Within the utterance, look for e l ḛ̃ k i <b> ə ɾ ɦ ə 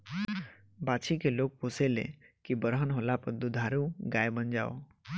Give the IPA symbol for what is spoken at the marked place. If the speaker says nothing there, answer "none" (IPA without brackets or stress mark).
b